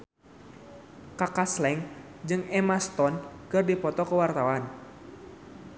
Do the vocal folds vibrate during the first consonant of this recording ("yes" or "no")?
no